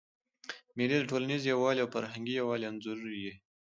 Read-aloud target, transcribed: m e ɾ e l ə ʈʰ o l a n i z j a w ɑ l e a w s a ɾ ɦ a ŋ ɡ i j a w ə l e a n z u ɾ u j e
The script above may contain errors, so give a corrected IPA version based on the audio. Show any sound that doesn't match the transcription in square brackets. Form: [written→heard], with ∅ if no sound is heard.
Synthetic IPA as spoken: m e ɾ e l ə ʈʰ o l a n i z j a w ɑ l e a w [s→f] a ɾ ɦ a ŋ ɡ i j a w [ə→ɑ] l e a n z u ɾ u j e